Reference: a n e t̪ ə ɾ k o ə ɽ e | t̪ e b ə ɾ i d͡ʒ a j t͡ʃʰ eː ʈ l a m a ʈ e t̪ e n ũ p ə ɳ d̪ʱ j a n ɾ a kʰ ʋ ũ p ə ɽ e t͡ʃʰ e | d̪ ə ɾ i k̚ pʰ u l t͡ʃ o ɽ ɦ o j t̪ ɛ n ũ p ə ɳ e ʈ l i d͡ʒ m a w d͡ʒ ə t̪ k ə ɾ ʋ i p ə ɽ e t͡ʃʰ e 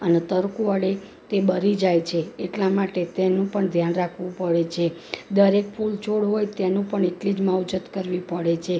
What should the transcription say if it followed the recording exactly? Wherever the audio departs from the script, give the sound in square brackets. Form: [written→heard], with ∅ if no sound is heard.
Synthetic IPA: [a→ə] n e t̪ ə ɾ k [o→u] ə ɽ e | t̪ e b ə ɾ i d͡ʒ a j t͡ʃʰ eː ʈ l a m a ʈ e t̪ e n ũ p ə ɳ d̪ʱ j a n ɾ a kʰ ʋ ũ p ə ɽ e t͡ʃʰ e | d̪ ə ɾ [i→e] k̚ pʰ u l t͡ʃ o ɽ ɦ o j t̪ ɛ n ũ p ə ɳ e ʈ l i d͡ʒ m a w d͡ʒ ə t̪ k ə ɾ ʋ i p ə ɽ e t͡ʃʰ e

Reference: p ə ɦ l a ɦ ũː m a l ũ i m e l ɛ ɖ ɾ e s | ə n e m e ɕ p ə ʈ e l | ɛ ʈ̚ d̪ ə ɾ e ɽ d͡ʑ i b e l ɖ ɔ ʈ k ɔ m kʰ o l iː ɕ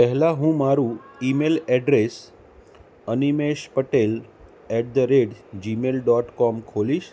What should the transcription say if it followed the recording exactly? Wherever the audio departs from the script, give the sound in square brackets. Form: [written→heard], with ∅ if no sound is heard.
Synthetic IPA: p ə ɦ l a ɦ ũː m a [l→ɾ] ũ i m e l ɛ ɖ ɾ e s | ə n [e→i] m e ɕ p ə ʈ e l | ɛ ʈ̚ d̪ ə ɾ e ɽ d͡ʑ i [b→m] e l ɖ ɔ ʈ k ɔ m kʰ o l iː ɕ

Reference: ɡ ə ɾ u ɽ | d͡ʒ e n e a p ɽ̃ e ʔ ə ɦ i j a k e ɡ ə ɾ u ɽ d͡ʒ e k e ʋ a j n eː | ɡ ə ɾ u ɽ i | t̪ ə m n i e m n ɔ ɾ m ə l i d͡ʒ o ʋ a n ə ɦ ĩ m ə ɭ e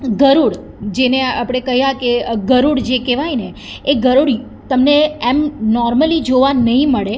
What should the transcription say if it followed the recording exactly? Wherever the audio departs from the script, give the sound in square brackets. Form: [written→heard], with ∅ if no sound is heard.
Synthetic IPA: ɡ ə ɾ u ɽ | d͡ʒ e n e a p ɽ̃ e [ʔ→k] ə ɦ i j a k e ɡ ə ɾ u ɽ d͡ʒ e k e ʋ a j n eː | ɡ ə ɾ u ɽ i | t̪ ə m n [i→e] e m n ɔ ɾ m ə l i d͡ʒ o ʋ a n ə ɦ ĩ m ə ɭ e

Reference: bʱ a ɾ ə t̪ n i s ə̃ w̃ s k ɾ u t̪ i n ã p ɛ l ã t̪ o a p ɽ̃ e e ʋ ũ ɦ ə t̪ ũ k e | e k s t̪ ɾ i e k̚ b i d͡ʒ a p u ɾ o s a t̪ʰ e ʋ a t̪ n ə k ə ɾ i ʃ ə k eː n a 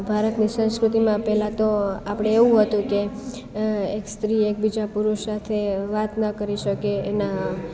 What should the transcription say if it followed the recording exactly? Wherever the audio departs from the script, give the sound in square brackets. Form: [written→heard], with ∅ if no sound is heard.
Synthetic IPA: bʱ a ɾ ə t̪ n i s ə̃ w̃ s k ɾ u t̪ i [n→m] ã p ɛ l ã t̪ o a p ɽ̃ e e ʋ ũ ɦ ə t̪ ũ k e | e k s t̪ ɾ i e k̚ b i d͡ʒ a p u ɾ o s a t̪ʰ e ʋ a t̪ n ə k ə ɾ i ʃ ə k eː n a

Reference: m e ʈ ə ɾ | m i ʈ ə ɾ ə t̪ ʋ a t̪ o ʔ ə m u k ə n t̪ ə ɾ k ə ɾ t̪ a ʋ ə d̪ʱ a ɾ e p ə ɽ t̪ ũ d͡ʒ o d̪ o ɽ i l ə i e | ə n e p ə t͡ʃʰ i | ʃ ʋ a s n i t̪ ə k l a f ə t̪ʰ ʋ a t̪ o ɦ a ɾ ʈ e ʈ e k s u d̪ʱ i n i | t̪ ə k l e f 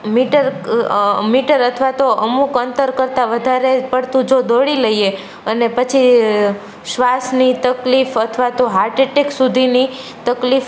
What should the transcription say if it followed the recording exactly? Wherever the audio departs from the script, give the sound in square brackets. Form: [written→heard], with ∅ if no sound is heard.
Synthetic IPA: m [e→i] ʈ ə ɾ | m i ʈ ə ɾ ə [t̪→t̪ʰ] ʋ a t̪ o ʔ ə m u k ə n t̪ ə ɾ k ə ɾ t̪ a ʋ ə d̪ʱ a ɾ e p ə ɽ t̪ ũ d͡ʒ o d̪ o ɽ i l ə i e | ə n e p ə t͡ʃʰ i | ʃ ʋ a s n i t̪ ə k l [a→i] f ə t̪ʰ ʋ a t̪ o ɦ a ɾ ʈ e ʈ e k s u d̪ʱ i n i | t̪ ə k l [e→i] f

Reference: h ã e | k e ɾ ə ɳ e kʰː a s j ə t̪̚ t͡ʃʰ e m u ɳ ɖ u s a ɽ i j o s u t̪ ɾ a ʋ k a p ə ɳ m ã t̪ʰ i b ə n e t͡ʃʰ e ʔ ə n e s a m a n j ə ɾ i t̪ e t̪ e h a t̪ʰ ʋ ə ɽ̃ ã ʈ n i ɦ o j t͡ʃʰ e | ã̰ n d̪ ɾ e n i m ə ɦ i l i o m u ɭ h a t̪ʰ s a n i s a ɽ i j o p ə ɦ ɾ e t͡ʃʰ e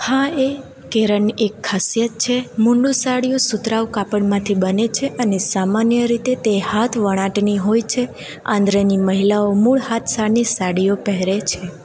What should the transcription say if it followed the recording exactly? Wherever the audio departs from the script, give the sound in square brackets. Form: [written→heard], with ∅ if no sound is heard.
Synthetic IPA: h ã e | k e ɾ ə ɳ e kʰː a s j ə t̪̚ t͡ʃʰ e m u ɳ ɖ u s a ɽ i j o s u t̪ ɾ a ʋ k a p ə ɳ m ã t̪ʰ i b ə n e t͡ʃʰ e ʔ ə n e s a m a n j ə ɾ i t̪ e t̪ e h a t̪ʰ ʋ ə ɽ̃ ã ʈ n i ɦ o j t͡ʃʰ e | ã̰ n d̪ ɾ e n i m ə ɦ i l [i→a] o m u ɭ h a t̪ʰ s a n i s a ɽ i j o p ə ɦ ɾ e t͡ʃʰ e

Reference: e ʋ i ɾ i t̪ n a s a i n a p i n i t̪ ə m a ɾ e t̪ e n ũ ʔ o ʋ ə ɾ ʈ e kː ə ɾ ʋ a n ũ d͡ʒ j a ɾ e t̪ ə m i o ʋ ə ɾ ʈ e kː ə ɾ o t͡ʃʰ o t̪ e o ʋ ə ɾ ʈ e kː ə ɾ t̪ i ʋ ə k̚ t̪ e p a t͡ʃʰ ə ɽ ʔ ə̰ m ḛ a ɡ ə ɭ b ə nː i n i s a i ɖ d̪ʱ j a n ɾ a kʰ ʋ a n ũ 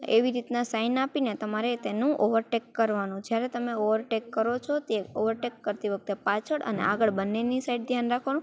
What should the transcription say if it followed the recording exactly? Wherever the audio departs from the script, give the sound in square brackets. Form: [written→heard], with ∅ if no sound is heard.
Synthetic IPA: e ʋ i ɾ i t̪ n a s a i n a p i n [i→e] t̪ ə m a ɾ e t̪ e n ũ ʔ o ʋ ə ɾ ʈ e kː ə ɾ ʋ a n ũ d͡ʒ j a ɾ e t̪ ə m [i→e] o ʋ ə ɾ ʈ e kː ə ɾ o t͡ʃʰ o t̪ e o ʋ ə ɾ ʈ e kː ə ɾ t̪ i ʋ ə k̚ t̪ e p a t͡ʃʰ ə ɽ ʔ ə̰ [m→n] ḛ a ɡ ə ɭ b ə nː [i→e] n i s a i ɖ d̪ʱ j a n ɾ a kʰ ʋ a n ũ

